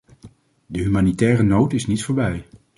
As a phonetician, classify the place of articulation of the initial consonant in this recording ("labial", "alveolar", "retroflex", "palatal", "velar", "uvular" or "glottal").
alveolar